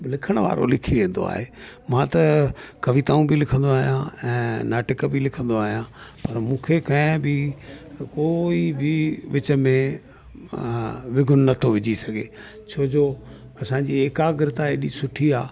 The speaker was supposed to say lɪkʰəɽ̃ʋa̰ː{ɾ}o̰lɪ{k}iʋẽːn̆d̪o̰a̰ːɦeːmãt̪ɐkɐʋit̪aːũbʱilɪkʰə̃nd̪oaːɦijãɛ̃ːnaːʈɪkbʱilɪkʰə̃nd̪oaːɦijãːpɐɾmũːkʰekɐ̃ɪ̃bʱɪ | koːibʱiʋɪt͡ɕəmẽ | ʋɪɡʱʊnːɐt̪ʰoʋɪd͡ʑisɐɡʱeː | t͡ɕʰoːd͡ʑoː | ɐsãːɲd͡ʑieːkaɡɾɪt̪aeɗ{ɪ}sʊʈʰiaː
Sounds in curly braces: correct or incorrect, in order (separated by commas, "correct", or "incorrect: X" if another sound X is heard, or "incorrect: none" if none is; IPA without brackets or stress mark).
correct, incorrect: kʰ, incorrect: i